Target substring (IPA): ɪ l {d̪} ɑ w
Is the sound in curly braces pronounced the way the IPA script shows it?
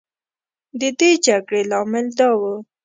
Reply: yes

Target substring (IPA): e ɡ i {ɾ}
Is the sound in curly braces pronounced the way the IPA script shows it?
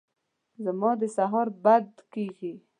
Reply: no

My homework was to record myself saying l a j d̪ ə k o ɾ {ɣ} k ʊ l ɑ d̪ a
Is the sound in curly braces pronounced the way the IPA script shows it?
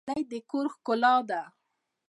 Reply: no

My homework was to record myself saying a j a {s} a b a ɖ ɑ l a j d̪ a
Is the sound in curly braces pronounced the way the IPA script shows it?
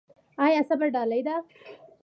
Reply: yes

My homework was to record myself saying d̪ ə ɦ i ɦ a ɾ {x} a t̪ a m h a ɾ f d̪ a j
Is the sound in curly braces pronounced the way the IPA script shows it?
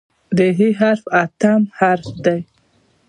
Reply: no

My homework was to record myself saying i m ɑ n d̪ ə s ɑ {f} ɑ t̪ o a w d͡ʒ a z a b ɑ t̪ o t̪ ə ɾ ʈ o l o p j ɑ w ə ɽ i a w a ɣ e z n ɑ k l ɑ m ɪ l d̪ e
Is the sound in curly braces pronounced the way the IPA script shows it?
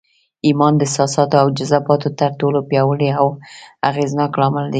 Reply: no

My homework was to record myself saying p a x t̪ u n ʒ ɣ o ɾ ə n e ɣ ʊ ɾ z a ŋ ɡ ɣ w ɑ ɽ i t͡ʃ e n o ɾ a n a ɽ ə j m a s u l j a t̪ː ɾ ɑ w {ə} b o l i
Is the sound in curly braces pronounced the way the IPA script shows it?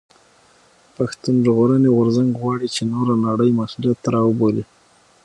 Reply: yes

